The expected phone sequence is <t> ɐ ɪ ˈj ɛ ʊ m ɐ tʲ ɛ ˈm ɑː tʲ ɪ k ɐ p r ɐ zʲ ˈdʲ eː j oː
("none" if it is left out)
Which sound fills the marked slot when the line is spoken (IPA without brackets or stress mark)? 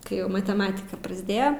k